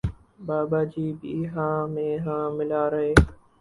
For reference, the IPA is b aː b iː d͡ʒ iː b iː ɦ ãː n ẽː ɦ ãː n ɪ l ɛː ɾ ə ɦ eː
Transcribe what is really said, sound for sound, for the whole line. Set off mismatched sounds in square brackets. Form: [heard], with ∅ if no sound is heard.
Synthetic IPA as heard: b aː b [aː] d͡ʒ iː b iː ɦ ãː [m] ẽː ɦ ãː [m] ɪ l [aː] ɾ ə ɦ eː